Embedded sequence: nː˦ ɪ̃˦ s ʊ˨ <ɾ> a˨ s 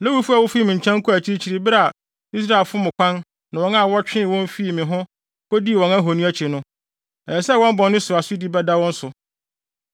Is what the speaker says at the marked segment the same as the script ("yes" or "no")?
yes